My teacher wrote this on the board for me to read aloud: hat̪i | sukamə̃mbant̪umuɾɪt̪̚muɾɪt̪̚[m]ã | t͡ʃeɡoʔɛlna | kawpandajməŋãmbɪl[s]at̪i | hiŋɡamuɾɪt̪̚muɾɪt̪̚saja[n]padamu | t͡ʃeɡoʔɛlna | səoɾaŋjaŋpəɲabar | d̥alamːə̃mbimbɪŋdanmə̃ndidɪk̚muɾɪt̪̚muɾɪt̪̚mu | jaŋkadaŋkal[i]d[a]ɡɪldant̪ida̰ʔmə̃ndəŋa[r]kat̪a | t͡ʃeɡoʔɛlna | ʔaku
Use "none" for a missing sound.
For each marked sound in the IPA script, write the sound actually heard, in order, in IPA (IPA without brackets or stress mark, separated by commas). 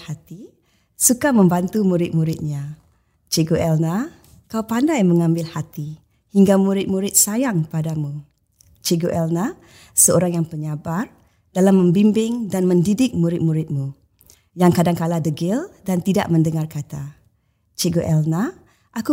ɲ, h, ŋ, a, ə, r